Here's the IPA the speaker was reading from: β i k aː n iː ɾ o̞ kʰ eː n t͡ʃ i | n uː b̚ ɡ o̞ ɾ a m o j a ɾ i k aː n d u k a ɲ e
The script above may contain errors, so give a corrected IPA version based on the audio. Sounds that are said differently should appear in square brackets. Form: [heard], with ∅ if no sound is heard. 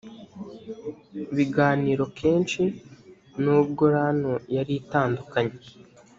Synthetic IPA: β i [ɡ] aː n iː ɾ o̞ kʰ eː n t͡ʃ i | n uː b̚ ɡ o̞ ɾ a [n] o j a ɾ i [t] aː n d u k a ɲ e